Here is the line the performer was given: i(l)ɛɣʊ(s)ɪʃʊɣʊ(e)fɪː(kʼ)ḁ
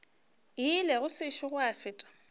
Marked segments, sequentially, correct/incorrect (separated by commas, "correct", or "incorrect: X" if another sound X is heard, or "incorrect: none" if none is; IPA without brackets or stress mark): correct, correct, incorrect: a, incorrect: tʼ